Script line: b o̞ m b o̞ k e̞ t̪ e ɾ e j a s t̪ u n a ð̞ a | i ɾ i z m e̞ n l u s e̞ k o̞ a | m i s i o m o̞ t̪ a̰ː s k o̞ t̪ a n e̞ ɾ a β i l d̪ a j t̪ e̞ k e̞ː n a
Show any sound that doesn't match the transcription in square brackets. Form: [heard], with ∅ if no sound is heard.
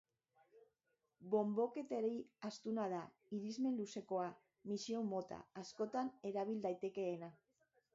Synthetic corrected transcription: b o̞ m b o̞ k e̞ t̪ e ɾ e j a s t̪ u n a ð̞ a | i ɾ i z m e̞ n l u s e̞ k o̞ a | m i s i o m o̞ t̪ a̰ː s k o̞ t̪ a n e̞ ɾ a β i l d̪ a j t̪ e̞ k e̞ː n a